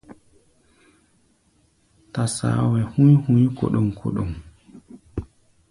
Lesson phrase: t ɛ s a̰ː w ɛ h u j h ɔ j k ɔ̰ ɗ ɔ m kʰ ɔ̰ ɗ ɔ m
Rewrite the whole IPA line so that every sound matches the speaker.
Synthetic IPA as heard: t a s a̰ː w ɛ h u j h u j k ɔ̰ ɗ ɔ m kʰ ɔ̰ ɗ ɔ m